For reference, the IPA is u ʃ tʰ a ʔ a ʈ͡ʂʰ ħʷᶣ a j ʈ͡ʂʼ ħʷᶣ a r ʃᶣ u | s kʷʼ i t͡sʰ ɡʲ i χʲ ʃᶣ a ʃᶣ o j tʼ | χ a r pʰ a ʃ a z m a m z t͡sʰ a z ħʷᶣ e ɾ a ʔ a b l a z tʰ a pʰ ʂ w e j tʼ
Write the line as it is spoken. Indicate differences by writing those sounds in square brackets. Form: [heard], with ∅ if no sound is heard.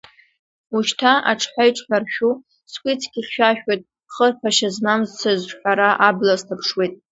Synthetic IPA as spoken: u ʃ tʰ a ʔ a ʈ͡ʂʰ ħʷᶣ a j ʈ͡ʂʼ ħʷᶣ a r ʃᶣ u | s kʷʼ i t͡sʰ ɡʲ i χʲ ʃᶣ a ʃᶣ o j tʼ | χ [ə] r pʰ a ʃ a z m a m z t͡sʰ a z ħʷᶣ [a] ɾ a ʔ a b l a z tʰ a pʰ ʂ w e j tʼ